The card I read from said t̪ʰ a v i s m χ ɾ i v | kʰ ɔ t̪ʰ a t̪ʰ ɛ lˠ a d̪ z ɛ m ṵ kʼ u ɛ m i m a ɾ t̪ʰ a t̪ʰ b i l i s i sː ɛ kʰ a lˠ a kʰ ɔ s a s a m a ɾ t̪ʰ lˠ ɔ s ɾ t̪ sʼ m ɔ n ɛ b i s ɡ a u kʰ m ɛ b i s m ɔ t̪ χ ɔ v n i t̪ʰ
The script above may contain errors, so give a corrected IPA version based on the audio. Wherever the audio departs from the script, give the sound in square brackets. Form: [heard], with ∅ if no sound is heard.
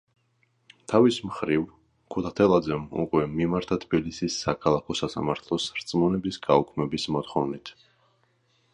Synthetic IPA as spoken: t̪ʰ a v i s m χ ɾ i v | kʰ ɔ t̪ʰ a t̪ʰ ɛ lˠ a d̪ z ɛ m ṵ kʼ [w] ɛ m i m a ɾ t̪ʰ a t̪ʰ b i l i s i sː [a] kʰ a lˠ a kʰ ɔ s a s a m a ɾ t̪ʰ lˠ ɔ s ɾ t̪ sʼ m ɔ n ɛ b i s ɡ a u kʰ m ɛ b i s m ɔ t̪ χ ɔ v n i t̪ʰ

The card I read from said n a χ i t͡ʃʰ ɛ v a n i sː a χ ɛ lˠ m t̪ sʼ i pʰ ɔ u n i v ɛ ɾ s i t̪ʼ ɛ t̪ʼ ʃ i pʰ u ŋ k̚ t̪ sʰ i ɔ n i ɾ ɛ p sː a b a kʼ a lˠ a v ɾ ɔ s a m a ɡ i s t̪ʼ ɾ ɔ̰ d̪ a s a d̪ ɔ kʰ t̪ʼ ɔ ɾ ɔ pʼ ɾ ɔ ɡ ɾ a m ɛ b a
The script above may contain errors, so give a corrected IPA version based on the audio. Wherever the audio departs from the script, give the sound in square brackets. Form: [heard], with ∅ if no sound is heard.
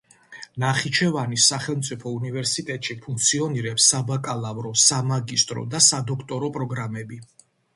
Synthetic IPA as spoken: n a χ i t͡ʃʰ ɛ v a n i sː a χ ɛ lˠ m t̪ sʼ i pʰ ɔ u n i v ɛ ɾ s i t̪ʼ ɛ t̪ʼ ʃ i pʰ u ŋ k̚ t̪ sʰ i ɔ n i ɾ ɛ p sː a b a kʼ a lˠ a v ɾ ɔ s a m a ɡ i s t̪ʼ ɾ ɔ̰ d̪ a s a d̪ ɔ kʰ t̪ʼ ɔ ɾ ɔ pʼ ɾ ɔ ɡ ɾ a m ɛ b [i]

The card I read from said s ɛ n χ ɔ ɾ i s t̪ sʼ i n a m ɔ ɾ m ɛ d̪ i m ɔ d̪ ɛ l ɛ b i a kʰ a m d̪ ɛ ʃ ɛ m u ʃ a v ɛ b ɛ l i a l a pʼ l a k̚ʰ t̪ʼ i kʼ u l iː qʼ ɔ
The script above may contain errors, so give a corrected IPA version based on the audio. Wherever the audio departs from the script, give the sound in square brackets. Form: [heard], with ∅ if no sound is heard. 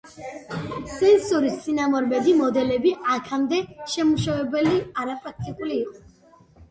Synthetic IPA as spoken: s ɛ n [s] ɔ ɾ i s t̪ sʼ i n a m ɔ ɾ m ɛ d̪ i m ɔ d̪ ɛ l ɛ b i a kʰ a m d̪ ɛ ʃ ɛ m u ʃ a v ɛ b ɛ l i a [ɾ] a pʼ [ɾ] a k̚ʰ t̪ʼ i kʼ u l iː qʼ ɔ

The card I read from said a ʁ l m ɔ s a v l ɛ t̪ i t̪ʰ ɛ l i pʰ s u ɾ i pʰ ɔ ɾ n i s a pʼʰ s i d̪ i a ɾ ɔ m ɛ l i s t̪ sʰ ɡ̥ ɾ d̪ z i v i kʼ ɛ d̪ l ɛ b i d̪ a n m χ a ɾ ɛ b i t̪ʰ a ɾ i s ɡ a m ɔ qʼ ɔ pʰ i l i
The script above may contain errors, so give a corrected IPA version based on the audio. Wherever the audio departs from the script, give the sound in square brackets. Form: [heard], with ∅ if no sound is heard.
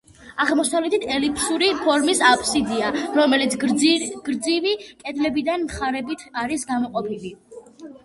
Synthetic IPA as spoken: a ʁ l m ɔ s a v l ɛ t̪ i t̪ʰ ɛ l i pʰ s u ɾ i pʰ ɔ ɾ [m] i s a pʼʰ s i d̪ i a ɾ ɔ m ɛ l i [∅] t̪ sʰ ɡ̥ ɾ d̪ z i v i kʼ ɛ d̪ l ɛ b i d̪ a n m χ a ɾ ɛ b i t̪ʰ a ɾ i s ɡ a m ɔ qʼ ɔ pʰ i l i

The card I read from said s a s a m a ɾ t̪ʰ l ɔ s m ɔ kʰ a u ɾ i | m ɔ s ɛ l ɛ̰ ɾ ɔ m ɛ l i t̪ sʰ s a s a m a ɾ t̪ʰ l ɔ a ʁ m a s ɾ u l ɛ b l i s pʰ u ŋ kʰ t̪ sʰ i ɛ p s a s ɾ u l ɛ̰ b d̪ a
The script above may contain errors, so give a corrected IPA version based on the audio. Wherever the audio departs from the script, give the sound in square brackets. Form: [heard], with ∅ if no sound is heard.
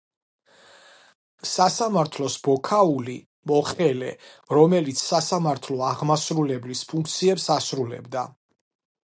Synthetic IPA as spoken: s a s a m a ɾ t̪ʰ l ɔ s [b] ɔ kʰ a u [l] i | m ɔ [χ] ɛ l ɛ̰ ɾ ɔ m ɛ l i t̪ sʰ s a s a m a ɾ t̪ʰ l ɔ a ʁ m a s ɾ u l ɛ b l i s pʰ u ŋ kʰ t̪ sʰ i ɛ p s a s ɾ u l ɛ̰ b d̪ a

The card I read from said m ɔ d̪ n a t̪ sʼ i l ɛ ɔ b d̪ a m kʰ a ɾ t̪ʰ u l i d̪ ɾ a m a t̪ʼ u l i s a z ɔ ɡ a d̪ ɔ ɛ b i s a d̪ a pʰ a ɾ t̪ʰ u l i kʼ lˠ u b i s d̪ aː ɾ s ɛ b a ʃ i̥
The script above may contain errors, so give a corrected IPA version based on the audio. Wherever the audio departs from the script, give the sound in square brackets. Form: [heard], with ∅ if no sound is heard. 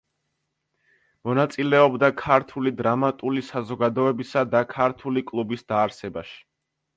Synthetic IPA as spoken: m ɔ [∅] n a t̪ sʼ i l ɛ ɔ b d̪ a [∅] kʰ a ɾ t̪ʰ u l i d̪ ɾ a m a t̪ʼ u l i s a z ɔ ɡ a d̪ ɔ ɛ b i s a d̪ a [kʰ] a ɾ t̪ʰ u l i kʼ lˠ u b i s d̪ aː ɾ s ɛ b a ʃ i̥

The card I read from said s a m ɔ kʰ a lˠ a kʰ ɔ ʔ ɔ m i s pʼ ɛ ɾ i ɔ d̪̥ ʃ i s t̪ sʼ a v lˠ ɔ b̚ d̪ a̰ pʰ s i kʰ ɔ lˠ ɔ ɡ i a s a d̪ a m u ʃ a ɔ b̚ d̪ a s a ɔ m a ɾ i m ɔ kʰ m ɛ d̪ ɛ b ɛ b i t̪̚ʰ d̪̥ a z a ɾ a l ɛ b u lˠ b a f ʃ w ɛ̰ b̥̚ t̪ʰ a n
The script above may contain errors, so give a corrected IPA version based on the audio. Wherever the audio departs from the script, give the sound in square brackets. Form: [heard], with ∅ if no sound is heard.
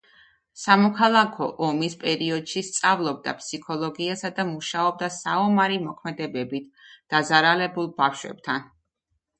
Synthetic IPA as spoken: s a m ɔ kʰ a lˠ a kʰ ɔ ʔ ɔ m i s pʼ ɛ ɾ i ɔ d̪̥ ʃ i s t̪ sʼ a v lˠ ɔ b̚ d̪ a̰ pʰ s i kʰ ɔ lˠ ɔ ɡ i a s a d̪ a m u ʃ a ɔ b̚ d̪ a s a ɔ m a ɾ i m ɔ kʰ m ɛ d̪ ɛ b ɛ b i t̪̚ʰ d̪̥ a z a ɾ a l ɛ b u lˠ b a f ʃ w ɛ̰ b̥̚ t̪ʰ a n

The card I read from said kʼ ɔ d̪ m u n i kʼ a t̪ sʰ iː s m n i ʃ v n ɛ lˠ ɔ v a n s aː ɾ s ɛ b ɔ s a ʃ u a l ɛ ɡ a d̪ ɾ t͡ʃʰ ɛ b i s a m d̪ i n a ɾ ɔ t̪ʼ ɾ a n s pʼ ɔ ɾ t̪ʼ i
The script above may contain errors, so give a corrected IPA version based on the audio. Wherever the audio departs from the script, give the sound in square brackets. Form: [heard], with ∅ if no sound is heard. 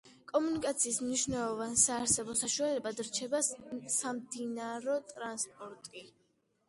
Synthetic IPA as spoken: kʼ ɔ [∅] m u n i kʼ a t̪ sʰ iː s m n i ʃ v n ɛ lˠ ɔ v a n s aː ɾ s ɛ b ɔ s a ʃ u a l ɛ [b] a d̪ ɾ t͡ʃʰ ɛ b [a] s a m d̪ i n a ɾ ɔ t̪ʼ ɾ a n s pʼ ɔ ɾ t̪ʼ i

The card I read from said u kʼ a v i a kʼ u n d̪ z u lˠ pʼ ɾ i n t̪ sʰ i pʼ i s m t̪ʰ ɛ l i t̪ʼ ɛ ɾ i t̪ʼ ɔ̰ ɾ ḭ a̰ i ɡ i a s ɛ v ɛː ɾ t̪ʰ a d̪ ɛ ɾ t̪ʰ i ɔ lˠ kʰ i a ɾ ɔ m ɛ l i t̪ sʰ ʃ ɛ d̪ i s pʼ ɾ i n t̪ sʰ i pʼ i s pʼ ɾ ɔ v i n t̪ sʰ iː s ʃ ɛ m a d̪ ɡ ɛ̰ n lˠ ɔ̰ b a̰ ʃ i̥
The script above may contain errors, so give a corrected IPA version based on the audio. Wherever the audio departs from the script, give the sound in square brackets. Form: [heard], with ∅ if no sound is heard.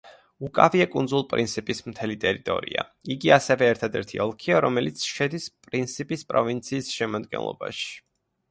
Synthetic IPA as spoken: u kʼ a v i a kʼ u n d̪ z u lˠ pʼ ɾ i n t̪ sʰ i pʼ i s m t̪ʰ ɛ l i t̪ʼ ɛ ɾ i t̪ʼ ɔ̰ ɾ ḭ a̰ i ɡ i a s ɛ v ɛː ɾ t̪ʰ a d̪ ɛ ɾ t̪ʰ i ɔ lˠ kʰ i a ɾ ɔ m ɛ l i t̪ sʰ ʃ ɛ d̪ i s pʼ ɾ i n t̪ sʰ i pʼ i s pʼ ɾ ɔ v i n t̪ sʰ iː s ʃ ɛ m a d̪ ɡ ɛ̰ n lˠ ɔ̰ b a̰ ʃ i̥

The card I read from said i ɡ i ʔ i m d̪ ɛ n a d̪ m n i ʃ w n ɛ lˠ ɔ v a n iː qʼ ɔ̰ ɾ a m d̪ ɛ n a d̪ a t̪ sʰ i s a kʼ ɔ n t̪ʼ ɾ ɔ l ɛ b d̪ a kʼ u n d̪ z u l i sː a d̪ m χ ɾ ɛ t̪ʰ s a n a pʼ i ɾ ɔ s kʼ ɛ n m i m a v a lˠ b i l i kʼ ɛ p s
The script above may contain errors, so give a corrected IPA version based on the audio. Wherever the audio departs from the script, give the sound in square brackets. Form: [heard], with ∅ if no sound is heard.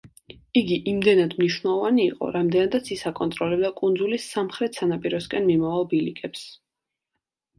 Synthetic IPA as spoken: i ɡ i ʔ i m d̪ ɛ n a d̪ m n i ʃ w n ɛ lˠ ɔ v a n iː qʼ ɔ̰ ɾ a m d̪ ɛ n a d̪ a t̪ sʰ i s a kʼ ɔ n t̪ʼ ɾ ɔ l ɛ b d̪ a kʼ u n d̪ z u l i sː a [∅] m χ ɾ ɛ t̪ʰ s a n a pʼ i ɾ ɔ s kʼ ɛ n m i m a v a lˠ b i l i kʼ ɛ p s

